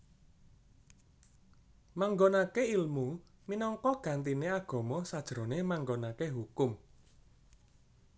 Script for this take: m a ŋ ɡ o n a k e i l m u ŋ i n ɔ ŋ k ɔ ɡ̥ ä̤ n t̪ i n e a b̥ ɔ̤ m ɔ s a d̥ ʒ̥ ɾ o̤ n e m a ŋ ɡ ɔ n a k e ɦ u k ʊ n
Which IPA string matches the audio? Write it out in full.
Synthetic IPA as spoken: m a ŋ ɡ o n a k e i l m u m i n ɔ ŋ k ɔ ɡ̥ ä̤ n t̪ i n e a ɡ̥ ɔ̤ m ɔ s a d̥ ʒ̥ ɾ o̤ n e m a ŋ ɡ o n a k e ɦ u k ʊ m